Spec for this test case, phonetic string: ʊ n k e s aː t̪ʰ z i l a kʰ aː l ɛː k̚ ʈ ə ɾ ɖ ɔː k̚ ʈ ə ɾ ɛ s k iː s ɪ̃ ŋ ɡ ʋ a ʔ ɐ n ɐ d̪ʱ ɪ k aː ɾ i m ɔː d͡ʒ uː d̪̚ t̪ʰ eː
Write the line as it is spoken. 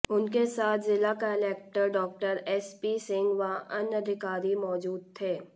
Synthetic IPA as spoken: ʊ n k e s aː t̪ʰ z ɪ l a k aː l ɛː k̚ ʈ ə ɾ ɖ ɔː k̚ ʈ ə ɾ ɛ s p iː s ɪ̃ ŋ ɡ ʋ a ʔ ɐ n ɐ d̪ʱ ɪ k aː ɾ i m ɔː d͡ʒ uː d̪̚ t̪ʰ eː

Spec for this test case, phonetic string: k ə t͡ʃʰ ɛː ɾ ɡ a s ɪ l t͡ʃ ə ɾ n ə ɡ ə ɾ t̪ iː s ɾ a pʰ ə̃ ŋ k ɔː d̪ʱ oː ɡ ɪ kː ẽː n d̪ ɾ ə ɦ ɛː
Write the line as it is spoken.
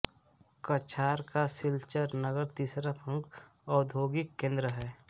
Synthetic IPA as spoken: k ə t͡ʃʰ aː ɾ k a s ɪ l t͡ʃ ə ɾ n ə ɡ ə ɾ t̪ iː s ɾ a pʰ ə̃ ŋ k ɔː d̪ʱ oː ɡ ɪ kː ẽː n d̪ ɾ ə ɦ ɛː

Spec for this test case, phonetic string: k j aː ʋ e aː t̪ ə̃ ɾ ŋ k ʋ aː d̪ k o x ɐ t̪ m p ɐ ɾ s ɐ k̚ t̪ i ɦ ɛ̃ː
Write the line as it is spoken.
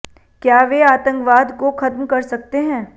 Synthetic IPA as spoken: k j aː ʋ e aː t̪ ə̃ ŋ k ʋ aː d̪ k o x ɐ t̪ m k ɐ ɾ s ɐ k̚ t̪ e ɦ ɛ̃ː

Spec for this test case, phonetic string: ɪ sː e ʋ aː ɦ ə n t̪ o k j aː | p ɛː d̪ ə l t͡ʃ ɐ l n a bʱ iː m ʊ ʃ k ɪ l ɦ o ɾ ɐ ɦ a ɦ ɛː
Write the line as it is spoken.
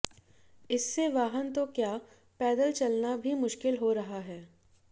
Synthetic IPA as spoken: ɪ sː e ʋ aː ɦ ə n t̪ o k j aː | p ɛː d̪ ə l t͡ʃ ɐ l n a bʱ i m ʊ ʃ k ɪ l ɦ o ɾ ɐ ɦ a ɦ ɛː

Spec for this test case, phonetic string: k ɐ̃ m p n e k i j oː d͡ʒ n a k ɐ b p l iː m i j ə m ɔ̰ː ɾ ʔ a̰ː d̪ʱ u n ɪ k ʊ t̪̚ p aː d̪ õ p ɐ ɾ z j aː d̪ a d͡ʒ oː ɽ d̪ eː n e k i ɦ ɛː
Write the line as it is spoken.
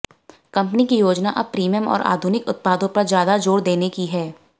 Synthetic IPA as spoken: k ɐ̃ m p n i k i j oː d͡ʒ n a ʔ ɐ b p ɾ iː m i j ə m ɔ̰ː ɾ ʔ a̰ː d̪ʱ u n ɪ k ʊ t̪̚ p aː d̪ õ p ɐ ɾ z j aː d̪ a d͡ʒ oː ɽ d̪ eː n e k i ɦ ɛː

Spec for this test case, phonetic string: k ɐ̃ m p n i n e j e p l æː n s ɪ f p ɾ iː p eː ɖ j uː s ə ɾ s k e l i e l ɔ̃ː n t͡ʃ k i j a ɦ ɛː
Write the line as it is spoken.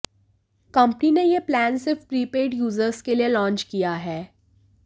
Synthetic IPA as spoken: k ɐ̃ m p n i n e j e p l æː n s ɪ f p ɾ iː p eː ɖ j uː z ə ɾ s k e l i e l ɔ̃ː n t͡ʃ k i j a ɦ ɛː

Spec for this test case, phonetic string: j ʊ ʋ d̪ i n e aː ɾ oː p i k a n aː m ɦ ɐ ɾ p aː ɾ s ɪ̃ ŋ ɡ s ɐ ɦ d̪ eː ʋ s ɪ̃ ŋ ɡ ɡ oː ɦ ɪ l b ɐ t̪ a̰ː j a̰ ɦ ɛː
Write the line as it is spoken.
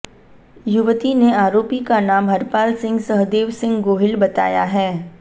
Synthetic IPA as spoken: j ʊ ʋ t̪ i n e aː ɾ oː p i k a n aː m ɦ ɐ ɾ p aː l s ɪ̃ ŋ ɡ s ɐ ɦ d̪ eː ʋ s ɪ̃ ŋ ɡ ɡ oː ɦ ɪ l b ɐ t̪ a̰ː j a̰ ɦ ɛː

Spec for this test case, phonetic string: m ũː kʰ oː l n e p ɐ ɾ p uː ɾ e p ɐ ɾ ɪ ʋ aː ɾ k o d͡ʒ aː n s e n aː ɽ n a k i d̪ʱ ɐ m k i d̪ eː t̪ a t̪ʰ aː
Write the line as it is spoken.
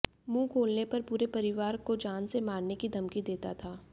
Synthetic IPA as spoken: m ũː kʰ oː l n e p ɐ ɾ p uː ɾ e p ɐ ɾ ɪ ʋ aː ɾ k o d͡ʒ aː n s e m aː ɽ n e k i d̪ʱ ɐ m k i d̪ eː t̪ a t̪ʰ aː

